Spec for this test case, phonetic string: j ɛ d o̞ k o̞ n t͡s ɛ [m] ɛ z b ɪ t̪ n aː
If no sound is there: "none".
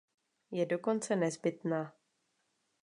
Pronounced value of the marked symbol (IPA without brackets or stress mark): n